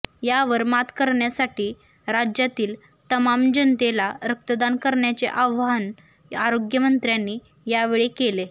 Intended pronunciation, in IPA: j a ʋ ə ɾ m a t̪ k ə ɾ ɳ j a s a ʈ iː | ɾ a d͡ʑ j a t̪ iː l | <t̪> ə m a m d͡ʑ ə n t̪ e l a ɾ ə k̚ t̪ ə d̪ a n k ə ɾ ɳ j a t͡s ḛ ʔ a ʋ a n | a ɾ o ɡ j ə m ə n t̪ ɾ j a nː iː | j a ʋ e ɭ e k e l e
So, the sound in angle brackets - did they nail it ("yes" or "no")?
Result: yes